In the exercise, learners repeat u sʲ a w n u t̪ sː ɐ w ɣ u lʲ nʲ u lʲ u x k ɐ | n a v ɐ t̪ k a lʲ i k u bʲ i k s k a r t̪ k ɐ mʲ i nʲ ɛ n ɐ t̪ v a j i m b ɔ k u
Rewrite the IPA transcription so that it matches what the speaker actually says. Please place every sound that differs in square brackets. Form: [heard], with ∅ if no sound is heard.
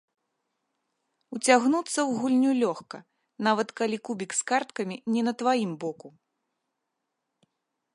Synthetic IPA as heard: u [t͡sʲ] a [ɣ] n u t̪ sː ɐ w ɣ u lʲ nʲ u lʲ [ɔ] x k ɐ | n a v ɐ t̪ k a lʲ i k u bʲ i k s k a r t̪ k ɐ mʲ i nʲ ɛ n ɐ t̪ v a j i m b ɔ k u